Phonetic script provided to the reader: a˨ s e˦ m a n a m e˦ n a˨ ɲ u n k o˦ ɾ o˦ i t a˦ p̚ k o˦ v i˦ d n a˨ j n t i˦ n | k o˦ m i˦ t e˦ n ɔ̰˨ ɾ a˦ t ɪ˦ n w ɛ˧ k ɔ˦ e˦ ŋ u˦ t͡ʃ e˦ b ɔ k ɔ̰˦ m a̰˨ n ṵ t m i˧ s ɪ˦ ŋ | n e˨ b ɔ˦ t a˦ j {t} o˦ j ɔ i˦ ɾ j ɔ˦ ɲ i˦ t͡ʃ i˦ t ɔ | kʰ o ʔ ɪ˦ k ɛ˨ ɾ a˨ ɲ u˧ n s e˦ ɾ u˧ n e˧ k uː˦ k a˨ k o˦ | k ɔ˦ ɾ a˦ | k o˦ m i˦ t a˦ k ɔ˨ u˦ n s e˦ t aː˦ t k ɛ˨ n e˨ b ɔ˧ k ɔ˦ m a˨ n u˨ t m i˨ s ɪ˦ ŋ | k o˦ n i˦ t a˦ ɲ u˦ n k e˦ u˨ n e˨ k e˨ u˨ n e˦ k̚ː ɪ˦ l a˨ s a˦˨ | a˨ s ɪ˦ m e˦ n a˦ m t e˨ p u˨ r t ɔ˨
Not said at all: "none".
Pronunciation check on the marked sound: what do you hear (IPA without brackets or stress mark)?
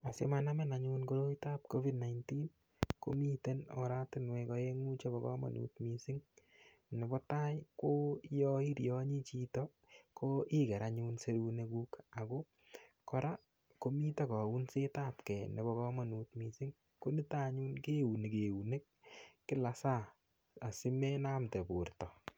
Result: k